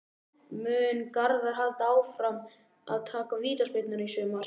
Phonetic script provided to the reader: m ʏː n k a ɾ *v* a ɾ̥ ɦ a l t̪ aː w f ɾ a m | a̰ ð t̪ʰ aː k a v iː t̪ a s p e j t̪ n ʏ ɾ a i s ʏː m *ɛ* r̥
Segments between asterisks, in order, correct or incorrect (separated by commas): incorrect, incorrect